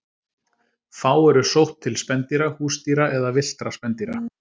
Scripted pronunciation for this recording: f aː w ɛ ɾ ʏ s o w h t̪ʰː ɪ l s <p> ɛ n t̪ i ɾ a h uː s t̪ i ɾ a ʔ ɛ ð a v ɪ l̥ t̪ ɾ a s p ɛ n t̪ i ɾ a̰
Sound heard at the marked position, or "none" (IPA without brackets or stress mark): p